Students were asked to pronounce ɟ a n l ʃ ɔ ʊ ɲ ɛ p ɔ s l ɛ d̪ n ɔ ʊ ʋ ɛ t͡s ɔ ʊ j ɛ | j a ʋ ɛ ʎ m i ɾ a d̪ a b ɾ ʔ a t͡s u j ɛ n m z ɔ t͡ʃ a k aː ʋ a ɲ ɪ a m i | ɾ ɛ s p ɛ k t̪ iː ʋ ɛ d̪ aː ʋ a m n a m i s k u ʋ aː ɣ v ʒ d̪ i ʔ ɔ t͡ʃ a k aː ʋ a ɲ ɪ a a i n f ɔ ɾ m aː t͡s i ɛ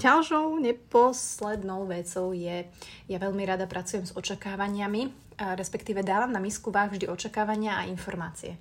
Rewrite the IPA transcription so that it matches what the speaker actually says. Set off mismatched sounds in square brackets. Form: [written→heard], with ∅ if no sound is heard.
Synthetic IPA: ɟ a [n→∅] l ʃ ɔ ʊ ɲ ɛ p ɔ s l ɛ d̪ n ɔ ʊ ʋ ɛ t͡s ɔ ʊ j ɛ | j a ʋ ɛ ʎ m i ɾ a d̪ a [b→p] ɾ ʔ a t͡s u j ɛ [n→∅] m z ɔ t͡ʃ a k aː ʋ a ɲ ɪ a m i | ɾ ɛ s p ɛ k t̪ iː ʋ ɛ d̪ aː ʋ a m n a m i s k u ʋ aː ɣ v ʒ d̪ i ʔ ɔ t͡ʃ a k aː ʋ a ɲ ɪ a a i n f ɔ ɾ m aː t͡s i ɛ